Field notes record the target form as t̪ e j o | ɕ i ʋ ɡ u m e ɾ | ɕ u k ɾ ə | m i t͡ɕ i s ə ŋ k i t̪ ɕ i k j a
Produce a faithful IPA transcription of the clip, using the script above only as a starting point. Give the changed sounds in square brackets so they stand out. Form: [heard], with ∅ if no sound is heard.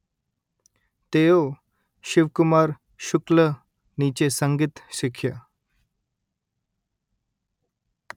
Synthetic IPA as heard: t̪ e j o | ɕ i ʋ [k] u m [a] ɾ | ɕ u k [l] ə | [n] i t͡ɕ [e] s ə ŋ [ɡ] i t̪ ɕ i [kʰ] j a